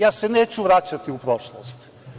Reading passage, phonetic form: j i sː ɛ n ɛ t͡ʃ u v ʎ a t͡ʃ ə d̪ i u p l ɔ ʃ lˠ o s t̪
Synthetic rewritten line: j a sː ɛ n ɛ t͡ʃ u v ɾ a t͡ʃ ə t̪ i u p ɾ ɔ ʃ lˠ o s t̪